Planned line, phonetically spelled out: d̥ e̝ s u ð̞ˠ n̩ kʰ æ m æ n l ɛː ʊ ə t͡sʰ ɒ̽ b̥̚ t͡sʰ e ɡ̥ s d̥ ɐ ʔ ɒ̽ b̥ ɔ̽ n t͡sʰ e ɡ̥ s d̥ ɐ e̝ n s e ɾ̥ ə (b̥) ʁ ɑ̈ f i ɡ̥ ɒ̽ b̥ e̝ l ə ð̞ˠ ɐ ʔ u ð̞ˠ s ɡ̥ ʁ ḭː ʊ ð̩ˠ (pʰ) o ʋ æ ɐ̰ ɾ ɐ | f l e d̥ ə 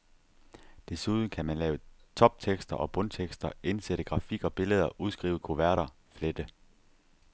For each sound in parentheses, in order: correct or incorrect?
incorrect: ɡ̥, incorrect: kʰ

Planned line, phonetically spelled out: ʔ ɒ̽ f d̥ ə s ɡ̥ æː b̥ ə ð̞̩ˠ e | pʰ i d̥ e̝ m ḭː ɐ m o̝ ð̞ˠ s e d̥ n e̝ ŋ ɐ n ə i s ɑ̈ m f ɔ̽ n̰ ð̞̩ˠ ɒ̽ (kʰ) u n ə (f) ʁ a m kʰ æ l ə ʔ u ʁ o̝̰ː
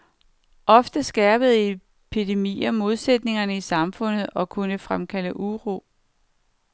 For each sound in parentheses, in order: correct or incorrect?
correct, correct

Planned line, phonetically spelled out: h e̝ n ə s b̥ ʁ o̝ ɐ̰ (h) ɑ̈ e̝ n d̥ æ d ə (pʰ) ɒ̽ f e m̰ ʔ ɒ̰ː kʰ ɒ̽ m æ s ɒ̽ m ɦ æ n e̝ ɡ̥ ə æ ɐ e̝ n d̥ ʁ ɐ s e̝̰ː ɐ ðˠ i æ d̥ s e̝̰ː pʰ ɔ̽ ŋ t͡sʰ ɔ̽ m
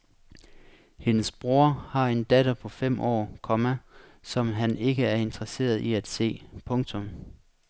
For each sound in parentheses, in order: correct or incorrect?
correct, correct

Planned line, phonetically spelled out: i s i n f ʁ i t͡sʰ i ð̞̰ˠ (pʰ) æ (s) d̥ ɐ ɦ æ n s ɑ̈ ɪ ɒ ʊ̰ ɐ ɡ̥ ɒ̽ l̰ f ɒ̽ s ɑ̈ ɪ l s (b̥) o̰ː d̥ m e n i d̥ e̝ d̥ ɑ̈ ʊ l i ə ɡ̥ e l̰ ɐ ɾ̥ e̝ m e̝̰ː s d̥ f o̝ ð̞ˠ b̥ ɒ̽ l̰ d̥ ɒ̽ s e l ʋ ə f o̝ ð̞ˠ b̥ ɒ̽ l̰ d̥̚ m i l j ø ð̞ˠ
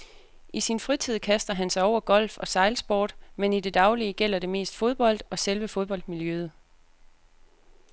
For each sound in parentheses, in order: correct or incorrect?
incorrect: kʰ, correct, correct

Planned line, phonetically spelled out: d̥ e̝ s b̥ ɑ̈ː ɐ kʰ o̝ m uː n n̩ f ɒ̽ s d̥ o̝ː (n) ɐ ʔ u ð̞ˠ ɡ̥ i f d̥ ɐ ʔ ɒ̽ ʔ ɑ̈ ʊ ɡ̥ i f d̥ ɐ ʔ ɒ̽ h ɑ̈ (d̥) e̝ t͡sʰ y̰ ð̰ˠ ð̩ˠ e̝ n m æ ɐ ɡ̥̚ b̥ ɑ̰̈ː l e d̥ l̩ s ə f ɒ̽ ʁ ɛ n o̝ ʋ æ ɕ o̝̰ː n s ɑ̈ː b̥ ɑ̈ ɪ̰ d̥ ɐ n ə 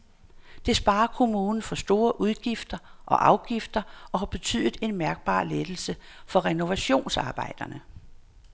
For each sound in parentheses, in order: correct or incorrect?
incorrect: none, incorrect: b̥

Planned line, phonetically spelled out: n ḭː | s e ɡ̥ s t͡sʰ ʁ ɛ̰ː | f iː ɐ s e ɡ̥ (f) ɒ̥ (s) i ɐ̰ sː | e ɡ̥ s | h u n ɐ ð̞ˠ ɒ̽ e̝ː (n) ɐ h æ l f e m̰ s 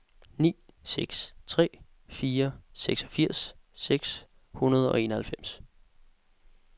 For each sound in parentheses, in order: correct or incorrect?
incorrect: s, incorrect: f, correct

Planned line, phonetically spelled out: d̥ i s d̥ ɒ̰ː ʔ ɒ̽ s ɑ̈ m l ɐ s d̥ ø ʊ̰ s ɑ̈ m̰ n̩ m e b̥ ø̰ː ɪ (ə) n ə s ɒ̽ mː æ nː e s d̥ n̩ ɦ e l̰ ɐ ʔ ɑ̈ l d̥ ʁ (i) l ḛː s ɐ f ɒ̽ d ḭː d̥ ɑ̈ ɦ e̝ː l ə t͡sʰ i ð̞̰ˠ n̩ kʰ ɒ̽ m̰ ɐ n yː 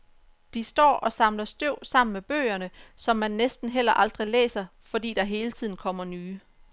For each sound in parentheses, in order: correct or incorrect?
incorrect: ɐ, correct

